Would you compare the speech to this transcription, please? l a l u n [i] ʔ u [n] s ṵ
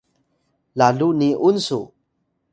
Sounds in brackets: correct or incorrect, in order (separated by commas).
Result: correct, correct